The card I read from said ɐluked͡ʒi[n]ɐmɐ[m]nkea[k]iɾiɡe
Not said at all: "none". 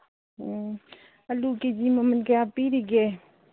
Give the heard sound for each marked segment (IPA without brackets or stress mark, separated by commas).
m, none, p